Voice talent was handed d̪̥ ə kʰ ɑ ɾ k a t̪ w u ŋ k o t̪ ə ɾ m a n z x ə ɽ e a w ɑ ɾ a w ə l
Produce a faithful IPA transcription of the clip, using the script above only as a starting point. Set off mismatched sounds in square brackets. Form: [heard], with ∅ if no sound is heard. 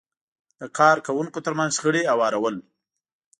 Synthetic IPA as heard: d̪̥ ə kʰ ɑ ɾ k a [∅] w u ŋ k o t̪ ə ɾ m a n z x ə ɽ e a w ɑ ɾ a w ə l

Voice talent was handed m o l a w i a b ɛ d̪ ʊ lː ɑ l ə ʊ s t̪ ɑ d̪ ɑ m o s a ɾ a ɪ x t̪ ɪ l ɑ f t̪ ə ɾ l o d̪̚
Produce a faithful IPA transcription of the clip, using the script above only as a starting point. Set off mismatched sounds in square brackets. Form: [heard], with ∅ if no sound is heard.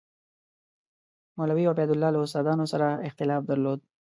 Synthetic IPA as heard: m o l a w i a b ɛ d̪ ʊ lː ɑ l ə ʊ s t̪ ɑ d̪ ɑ [n] o s a ɾ a ɪ x t̪ ɪ l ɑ f [d̪] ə ɾ l o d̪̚

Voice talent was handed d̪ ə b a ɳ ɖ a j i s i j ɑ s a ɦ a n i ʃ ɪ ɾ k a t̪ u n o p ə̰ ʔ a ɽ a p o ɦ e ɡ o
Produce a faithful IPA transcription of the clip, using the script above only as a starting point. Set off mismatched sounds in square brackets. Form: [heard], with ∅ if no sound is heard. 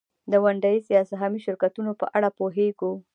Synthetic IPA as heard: d̪ ə [w] a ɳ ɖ a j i s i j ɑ s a ɦ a [m] i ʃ ɪ ɾ k a t̪ u n o p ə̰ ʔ a ɽ a p o ɦ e ɡ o

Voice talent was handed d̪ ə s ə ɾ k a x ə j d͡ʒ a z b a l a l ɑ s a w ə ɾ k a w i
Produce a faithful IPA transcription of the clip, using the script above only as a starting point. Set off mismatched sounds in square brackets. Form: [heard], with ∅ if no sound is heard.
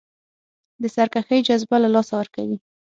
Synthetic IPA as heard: d̪ ə s [a] ɾ k a x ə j d͡ʒ a z b a l a l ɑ s a w ə ɾ k a w i

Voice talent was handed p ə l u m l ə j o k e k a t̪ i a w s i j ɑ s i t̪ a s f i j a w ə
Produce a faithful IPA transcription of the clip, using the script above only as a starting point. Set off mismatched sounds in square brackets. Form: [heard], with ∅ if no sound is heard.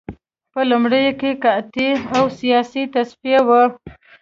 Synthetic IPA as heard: p ə l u m [ɽ] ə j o k e k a t̪ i a w s i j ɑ s i t̪ a s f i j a w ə

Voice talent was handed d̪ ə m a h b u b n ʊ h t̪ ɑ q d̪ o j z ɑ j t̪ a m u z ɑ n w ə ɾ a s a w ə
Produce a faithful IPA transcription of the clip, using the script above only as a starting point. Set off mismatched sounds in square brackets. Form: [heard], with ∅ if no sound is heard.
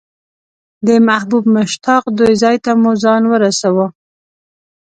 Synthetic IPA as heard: d̪ ə m a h b u b [m] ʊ [ʃ] t̪ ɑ q d̪ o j z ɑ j t̪ a m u z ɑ n w ə ɾ a s a w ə

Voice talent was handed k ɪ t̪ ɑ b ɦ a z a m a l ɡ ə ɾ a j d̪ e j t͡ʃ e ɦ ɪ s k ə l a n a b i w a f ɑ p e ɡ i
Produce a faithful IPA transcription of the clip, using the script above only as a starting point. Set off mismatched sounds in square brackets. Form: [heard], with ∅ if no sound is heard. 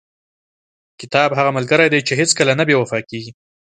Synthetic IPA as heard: k ɪ t̪ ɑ b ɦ a [ɣ] a m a l ɡ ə ɾ a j d̪ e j t͡ʃ e ɦ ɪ [t͡s] k ə l a n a b [e] w a f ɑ [k] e ɡ i

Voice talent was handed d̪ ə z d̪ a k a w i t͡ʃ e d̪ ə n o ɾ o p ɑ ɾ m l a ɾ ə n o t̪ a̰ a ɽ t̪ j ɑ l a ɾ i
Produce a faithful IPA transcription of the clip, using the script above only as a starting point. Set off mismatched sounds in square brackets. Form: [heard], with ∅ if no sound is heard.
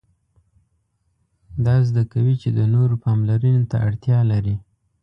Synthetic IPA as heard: d̪ [ɑ] z d̪ a k a w i t͡ʃ e d̪ ə n o ɾ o p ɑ [∅] m l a ɾ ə n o t̪ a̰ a ɽ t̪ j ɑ l a ɾ i

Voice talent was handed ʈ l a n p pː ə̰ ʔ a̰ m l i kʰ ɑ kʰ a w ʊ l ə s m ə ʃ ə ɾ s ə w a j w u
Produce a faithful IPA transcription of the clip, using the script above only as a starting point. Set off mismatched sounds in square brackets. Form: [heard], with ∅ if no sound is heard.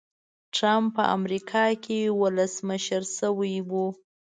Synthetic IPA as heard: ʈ [ɾ] a [m] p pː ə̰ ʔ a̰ m [ɾ] i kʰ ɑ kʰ [e] w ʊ l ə s m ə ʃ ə ɾ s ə w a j w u

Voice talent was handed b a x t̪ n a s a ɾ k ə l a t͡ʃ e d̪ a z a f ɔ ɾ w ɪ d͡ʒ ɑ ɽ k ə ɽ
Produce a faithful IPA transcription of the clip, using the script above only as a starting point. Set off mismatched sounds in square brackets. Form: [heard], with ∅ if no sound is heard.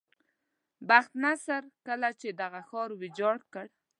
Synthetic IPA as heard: b a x t̪ n a s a ɾ k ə l a t͡ʃ e d̪ a [ɣ] a [x] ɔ ɾ w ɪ d͡ʒ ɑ ɽ k ə ɽ

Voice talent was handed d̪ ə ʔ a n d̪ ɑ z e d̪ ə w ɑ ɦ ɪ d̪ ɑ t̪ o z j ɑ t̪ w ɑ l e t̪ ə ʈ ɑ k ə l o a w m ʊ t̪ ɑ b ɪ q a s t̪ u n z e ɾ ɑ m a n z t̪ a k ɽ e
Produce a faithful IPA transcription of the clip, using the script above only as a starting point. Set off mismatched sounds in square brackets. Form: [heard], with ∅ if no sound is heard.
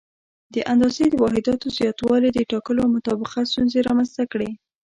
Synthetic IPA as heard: d̪ ə ʔ a n d̪ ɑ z e d̪ ə w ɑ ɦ ɪ d̪ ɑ t̪ o z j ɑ t̪ w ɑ l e [d̪] ə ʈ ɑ k ə l o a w m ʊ t̪ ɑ b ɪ q a s t̪ u n z e ɾ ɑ m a n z t̪ a k ɽ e

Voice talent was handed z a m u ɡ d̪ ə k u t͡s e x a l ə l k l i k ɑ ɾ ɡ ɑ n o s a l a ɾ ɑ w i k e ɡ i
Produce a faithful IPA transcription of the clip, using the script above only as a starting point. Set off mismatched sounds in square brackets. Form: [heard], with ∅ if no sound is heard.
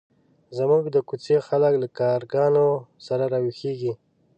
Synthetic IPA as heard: z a m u ɡ d̪ ə k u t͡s e x a l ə [∅] k l [a] k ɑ ɾ ɡ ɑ n o s a [ɾ] a ɾ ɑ w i [x] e ɡ i

